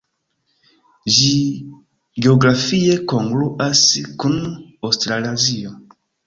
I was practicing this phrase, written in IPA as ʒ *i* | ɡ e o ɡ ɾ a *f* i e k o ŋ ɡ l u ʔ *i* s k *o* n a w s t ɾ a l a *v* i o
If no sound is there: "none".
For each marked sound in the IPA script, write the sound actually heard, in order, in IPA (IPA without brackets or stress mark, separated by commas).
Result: i, f, a, u, z